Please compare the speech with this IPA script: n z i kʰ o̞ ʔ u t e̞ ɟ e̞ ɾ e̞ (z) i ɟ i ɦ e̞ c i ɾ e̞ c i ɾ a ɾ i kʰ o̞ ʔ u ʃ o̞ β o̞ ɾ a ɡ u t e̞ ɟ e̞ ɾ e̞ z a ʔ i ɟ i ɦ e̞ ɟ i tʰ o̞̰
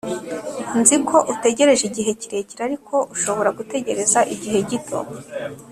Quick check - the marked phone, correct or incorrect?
incorrect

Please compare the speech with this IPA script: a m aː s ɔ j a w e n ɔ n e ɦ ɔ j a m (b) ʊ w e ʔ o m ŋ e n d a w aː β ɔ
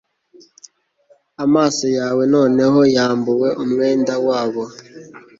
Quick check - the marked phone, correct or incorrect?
correct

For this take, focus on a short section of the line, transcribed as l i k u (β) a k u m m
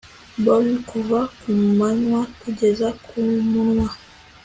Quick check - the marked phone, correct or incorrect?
incorrect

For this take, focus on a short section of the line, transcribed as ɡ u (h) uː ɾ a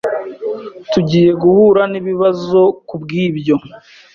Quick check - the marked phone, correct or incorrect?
correct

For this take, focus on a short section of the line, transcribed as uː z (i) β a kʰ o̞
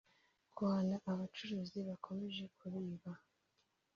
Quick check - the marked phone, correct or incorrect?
correct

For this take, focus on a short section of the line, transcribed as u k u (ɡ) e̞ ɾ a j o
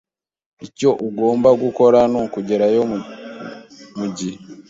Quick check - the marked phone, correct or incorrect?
incorrect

